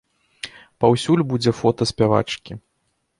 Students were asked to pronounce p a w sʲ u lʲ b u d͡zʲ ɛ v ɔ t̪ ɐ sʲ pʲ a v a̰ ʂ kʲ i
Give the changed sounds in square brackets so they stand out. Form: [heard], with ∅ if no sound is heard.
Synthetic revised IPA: p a w sʲ u lʲ b u d͡zʲ ɛ [f] ɔ t̪ ɐ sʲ pʲ a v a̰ [t͡ʂ] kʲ i